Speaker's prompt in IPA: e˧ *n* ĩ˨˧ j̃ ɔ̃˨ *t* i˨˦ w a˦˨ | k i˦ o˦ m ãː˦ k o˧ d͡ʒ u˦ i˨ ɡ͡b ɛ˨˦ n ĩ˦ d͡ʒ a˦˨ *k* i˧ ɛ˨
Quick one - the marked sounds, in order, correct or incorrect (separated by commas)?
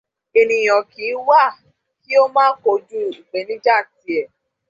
correct, incorrect, incorrect